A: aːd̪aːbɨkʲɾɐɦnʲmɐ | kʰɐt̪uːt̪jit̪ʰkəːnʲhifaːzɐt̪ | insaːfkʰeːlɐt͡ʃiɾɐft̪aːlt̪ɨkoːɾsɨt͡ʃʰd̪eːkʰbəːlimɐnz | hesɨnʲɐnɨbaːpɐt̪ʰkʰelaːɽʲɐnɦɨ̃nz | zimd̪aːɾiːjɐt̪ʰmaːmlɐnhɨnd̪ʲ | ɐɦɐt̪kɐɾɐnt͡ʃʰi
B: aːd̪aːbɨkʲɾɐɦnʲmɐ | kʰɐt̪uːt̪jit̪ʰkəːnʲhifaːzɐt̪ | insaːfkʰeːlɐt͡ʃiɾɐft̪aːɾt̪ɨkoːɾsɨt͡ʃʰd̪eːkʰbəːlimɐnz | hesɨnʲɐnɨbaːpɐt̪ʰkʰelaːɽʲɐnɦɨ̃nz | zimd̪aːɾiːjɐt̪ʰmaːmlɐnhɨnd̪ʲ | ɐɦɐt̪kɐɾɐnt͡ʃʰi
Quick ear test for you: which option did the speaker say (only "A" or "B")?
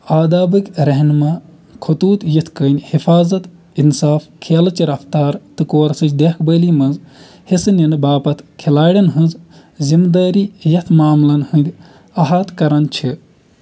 B